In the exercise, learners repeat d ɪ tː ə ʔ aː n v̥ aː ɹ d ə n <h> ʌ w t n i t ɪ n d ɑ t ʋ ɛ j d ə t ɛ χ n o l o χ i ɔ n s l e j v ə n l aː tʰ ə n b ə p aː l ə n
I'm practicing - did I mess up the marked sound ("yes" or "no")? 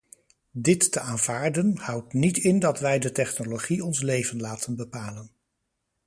no